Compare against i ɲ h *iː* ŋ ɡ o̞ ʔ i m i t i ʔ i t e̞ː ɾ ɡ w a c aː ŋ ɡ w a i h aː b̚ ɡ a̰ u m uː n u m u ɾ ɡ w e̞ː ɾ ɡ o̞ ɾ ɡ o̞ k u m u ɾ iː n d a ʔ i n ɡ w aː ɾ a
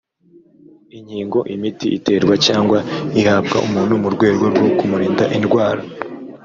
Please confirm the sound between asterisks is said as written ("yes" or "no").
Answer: yes